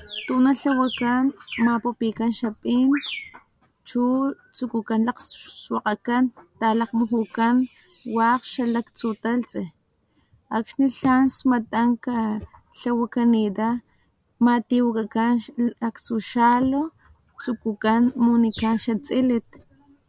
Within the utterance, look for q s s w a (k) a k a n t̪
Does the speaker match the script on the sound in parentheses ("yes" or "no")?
no